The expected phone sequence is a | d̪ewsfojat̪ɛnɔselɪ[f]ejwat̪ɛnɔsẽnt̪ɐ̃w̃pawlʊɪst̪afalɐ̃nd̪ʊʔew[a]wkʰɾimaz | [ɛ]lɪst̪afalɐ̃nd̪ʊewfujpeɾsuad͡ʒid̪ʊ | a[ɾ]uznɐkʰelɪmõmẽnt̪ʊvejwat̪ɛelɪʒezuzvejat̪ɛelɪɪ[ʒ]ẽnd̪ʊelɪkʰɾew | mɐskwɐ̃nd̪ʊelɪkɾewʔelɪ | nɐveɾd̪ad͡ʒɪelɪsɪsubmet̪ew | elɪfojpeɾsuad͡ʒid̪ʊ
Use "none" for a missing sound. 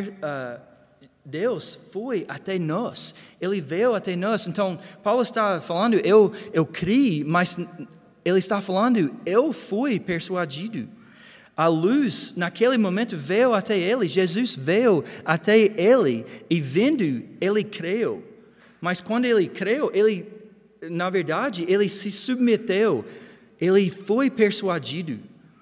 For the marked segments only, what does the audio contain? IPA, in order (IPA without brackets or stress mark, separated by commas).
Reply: v, e, e, l, v